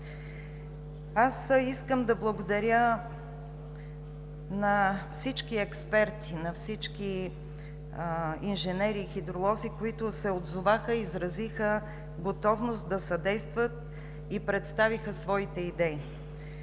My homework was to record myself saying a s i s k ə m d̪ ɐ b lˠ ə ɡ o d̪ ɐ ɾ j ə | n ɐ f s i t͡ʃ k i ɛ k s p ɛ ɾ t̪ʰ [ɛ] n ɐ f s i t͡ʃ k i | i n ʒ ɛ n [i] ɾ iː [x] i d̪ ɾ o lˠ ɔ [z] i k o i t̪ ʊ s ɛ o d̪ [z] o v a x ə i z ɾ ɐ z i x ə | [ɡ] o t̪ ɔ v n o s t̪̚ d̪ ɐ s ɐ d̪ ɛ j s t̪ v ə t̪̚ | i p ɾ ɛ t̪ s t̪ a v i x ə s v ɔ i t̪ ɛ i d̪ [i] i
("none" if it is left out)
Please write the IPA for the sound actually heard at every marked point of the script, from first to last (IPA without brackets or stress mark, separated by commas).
i, ɛ, x, z, z, ɡ, ɛ